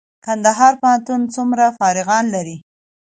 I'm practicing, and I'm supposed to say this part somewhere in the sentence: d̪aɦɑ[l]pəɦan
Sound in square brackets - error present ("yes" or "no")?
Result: yes